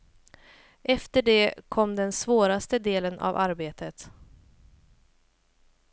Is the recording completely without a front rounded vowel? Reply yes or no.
yes